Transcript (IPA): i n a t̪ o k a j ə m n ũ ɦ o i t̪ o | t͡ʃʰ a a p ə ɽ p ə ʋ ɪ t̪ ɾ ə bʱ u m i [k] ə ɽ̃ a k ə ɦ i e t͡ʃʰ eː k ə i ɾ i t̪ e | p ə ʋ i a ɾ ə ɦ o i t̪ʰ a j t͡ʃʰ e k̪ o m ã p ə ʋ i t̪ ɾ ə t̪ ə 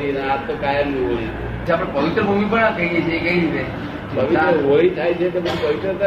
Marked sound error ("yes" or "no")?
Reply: yes